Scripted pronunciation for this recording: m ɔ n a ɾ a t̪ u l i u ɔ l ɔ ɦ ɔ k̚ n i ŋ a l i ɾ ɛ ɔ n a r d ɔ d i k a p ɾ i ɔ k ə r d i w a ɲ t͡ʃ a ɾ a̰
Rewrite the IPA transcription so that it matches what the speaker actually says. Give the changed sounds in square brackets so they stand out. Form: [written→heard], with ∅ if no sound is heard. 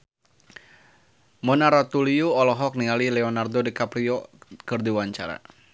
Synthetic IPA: m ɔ n a ɾ a t̪ u l i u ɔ l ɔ ɦ ɔ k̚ n i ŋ a l i [ɾ→l] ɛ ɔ n a r d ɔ d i k a p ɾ i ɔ k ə r d i w a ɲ t͡ʃ a ɾ a̰